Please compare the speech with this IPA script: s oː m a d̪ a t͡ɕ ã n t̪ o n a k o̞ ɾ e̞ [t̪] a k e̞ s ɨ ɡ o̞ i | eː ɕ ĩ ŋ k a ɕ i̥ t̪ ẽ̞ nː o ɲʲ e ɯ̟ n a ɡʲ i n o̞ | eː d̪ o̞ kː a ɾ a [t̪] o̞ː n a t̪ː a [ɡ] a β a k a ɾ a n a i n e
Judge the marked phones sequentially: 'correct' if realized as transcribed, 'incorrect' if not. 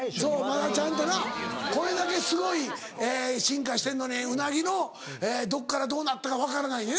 incorrect, incorrect, incorrect

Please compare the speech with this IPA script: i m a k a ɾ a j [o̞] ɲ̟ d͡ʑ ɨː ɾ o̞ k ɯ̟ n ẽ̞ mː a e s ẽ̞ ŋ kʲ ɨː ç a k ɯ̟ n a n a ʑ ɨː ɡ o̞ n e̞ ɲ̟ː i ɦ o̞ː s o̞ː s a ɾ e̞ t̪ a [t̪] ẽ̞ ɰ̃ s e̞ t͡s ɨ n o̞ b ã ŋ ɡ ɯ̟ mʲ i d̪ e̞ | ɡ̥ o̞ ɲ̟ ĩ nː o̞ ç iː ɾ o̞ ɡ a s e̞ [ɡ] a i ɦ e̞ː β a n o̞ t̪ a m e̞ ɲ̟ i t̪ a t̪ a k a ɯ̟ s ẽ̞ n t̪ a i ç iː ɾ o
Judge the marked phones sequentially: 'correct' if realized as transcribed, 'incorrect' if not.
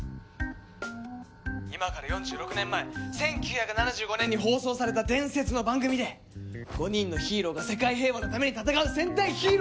incorrect, incorrect, incorrect

